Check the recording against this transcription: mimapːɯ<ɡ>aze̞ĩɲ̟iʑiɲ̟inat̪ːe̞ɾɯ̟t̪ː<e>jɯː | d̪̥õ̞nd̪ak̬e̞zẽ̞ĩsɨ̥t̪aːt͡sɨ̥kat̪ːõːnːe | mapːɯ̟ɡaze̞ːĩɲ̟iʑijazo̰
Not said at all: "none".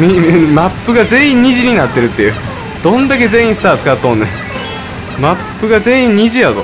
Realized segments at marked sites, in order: ɡ, e

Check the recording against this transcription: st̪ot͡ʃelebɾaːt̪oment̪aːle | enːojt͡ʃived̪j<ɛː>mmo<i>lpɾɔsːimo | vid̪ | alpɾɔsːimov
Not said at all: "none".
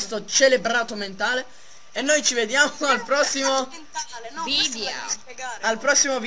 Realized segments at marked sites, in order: aː, a

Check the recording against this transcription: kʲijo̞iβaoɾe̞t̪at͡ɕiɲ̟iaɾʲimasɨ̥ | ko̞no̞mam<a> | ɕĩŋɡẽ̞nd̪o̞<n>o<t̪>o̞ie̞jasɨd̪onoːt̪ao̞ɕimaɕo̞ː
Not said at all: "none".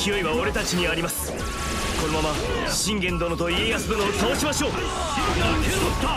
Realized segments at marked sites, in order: a, n, t̪

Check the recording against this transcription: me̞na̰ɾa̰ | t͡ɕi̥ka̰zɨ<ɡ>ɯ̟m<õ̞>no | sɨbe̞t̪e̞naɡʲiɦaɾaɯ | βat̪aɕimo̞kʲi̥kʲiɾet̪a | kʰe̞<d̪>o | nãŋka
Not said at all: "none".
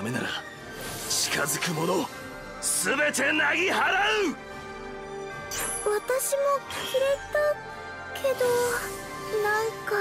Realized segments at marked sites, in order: k, o̞, d̪

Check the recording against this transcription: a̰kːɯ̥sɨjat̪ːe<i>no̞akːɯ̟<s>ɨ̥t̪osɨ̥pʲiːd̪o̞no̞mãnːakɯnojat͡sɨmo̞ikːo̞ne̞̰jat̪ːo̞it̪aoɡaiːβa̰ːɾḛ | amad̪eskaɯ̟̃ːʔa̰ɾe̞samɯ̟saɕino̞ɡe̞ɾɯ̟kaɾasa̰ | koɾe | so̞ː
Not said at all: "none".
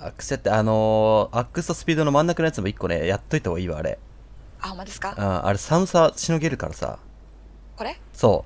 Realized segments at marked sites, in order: a, s

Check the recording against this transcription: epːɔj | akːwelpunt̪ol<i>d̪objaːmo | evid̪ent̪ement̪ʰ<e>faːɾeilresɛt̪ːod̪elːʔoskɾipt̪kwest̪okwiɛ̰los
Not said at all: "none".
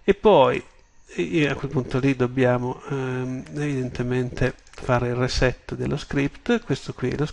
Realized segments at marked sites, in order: i, e

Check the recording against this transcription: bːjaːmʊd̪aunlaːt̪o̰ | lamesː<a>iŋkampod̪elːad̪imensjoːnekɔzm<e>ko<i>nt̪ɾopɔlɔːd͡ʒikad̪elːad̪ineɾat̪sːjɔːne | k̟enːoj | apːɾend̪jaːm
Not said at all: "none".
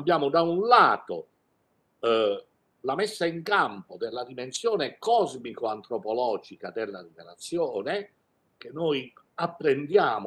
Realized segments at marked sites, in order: a, i, a

